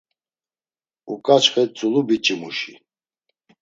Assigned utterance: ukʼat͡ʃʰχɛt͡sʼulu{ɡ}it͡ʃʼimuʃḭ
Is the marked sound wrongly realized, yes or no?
yes